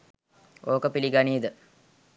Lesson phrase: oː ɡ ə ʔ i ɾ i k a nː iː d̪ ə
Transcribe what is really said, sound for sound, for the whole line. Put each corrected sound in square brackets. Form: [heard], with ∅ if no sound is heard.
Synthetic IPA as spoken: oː [k] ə [p] i [l] i [ɡ] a [n] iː d̪ ə

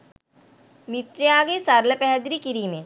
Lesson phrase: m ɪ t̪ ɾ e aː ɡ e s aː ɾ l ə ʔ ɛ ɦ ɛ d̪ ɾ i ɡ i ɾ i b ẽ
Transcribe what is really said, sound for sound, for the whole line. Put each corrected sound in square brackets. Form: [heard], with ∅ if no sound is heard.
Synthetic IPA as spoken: m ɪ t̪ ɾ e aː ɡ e s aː ɾ l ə [p] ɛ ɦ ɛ d̪ ɾ i [k] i ɾ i [m] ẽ

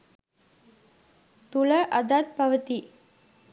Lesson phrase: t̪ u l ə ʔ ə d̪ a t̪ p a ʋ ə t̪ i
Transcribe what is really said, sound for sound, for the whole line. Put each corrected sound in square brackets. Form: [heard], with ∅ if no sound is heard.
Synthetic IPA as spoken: t̪ u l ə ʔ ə d̪ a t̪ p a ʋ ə t̪ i

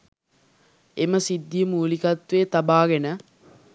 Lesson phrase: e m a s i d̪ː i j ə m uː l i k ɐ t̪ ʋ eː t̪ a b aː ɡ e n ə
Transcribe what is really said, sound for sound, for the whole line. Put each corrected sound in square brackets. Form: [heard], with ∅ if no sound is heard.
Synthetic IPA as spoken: e m [ə] s i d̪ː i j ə m uː l i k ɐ t̪ ʋ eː t̪ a b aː ɡ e n ə

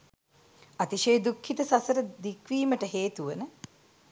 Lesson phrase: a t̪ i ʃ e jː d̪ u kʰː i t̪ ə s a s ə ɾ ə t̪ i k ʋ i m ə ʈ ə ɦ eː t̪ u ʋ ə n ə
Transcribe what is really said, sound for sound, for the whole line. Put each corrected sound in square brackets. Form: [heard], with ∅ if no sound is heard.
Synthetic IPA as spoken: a t̪ i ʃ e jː d̪ u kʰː i t̪ ə s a s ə ɾ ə [d̪] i k ʋ [iː] m ə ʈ ə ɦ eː t̪ u ʋ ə n ə

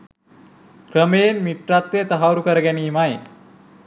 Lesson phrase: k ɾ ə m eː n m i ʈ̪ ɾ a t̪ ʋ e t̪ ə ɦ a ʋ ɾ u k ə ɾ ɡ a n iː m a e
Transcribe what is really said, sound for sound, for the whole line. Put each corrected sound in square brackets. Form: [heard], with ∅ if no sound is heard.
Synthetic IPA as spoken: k ɾ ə m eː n m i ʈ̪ ɾ a t̪ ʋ e t̪ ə ɦ a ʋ ɾ u k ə ɾ ɡ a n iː m a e

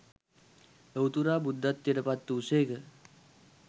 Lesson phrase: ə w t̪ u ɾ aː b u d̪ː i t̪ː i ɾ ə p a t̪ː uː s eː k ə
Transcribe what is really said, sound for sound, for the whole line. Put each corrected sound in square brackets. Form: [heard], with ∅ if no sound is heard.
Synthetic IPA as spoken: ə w t̪ u ɾ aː b u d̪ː [a] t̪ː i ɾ ə p a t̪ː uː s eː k ə

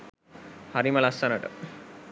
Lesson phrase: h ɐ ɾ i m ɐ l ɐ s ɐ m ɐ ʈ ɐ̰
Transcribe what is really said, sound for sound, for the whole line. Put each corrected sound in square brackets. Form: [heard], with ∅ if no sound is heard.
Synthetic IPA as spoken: h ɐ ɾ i m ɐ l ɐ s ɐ [n] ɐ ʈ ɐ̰

